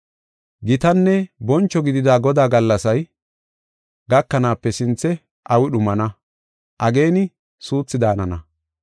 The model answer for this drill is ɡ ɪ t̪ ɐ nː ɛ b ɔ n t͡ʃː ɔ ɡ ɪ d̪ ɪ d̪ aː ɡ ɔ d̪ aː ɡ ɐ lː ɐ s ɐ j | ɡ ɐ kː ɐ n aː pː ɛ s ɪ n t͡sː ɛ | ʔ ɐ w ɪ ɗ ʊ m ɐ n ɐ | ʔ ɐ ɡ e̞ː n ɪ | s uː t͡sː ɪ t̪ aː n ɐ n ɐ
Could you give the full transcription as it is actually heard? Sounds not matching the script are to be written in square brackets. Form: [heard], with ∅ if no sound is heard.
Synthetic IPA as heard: ɡ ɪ t̪ ɐ nː ɛ b ɔ n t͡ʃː ɔ ɡ ɪ d̪ ɪ d̪ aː ɡ ɔ d̪ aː ɡ ɐ lː ɐ s ɐ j | ɡ ɐ kː ɐ n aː pː ɛ s ɪ n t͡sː ɛ | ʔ ɐ w ɪ ɗ ʊ m ɐ n ɐ | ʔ ɐ ɡ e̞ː n ɪ | s uː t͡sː ɪ [d̪] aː n ɐ n ɐ